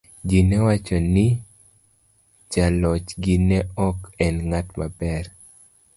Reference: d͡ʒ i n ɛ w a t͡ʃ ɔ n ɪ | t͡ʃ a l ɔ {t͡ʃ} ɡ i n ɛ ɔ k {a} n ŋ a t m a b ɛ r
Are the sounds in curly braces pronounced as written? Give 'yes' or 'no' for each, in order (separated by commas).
yes, no